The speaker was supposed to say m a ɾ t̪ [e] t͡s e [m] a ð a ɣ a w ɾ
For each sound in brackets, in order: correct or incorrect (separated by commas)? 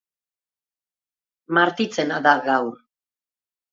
incorrect, incorrect